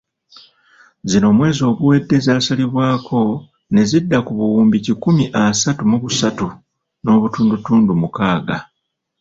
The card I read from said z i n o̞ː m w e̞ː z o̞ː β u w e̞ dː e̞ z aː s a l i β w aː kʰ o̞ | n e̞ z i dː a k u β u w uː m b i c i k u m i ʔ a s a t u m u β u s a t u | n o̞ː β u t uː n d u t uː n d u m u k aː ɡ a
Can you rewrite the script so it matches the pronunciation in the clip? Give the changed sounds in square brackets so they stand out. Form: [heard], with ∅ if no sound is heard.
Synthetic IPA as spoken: z i n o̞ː m w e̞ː z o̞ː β u w e̞ dː e̞ z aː s a l i β w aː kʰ o̞ | n e̞ z i dː a k u β u w uː m b i c i k u m i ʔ a s a t u m u β u s a t u | n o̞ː β u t uː n d u t uː n d u m u k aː ɡ a